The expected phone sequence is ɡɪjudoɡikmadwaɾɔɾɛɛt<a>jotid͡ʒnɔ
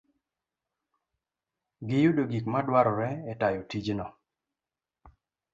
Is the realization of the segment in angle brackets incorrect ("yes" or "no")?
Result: no